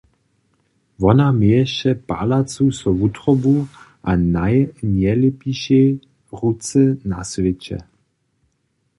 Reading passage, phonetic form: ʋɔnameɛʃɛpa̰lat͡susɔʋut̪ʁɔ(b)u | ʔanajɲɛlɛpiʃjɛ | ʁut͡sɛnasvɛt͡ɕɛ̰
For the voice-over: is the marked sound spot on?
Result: yes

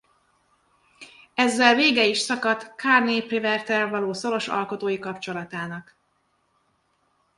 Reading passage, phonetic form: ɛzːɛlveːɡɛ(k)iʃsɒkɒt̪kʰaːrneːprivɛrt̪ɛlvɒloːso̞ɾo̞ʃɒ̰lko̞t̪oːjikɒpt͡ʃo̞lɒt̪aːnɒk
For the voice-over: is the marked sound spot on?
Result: no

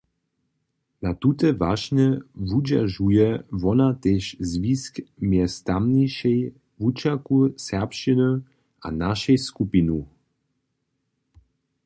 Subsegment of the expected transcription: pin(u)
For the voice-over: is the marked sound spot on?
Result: yes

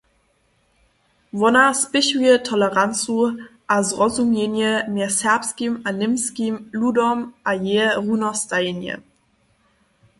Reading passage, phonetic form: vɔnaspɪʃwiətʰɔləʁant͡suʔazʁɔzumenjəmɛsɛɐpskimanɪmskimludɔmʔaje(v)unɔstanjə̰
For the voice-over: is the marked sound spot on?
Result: no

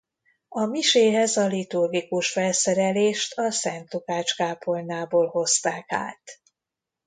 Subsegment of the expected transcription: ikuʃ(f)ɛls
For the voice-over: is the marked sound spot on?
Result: yes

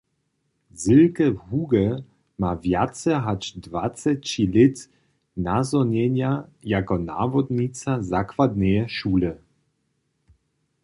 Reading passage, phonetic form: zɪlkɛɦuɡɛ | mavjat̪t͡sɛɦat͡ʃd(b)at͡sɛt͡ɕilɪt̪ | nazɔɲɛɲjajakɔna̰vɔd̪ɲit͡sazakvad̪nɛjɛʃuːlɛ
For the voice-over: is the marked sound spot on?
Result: no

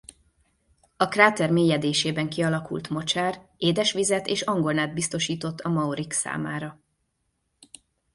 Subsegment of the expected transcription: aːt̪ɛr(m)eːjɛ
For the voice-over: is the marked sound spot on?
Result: yes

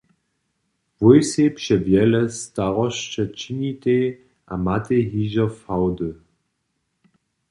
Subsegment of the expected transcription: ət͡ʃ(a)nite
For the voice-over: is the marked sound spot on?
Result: no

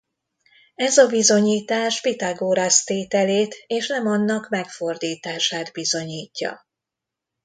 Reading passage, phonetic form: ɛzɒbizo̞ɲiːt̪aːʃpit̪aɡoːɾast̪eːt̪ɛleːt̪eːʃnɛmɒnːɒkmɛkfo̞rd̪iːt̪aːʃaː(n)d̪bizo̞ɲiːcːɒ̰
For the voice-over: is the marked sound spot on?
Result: no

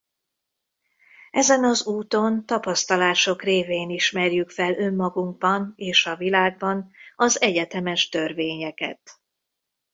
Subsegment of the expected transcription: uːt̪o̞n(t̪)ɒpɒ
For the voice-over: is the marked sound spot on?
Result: yes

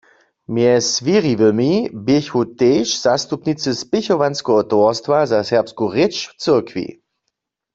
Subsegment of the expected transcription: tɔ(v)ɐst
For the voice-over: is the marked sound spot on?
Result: no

